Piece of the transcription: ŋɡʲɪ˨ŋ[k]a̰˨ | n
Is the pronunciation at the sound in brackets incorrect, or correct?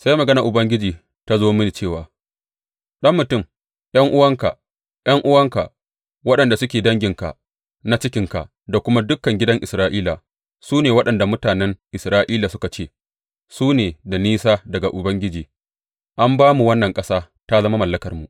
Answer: correct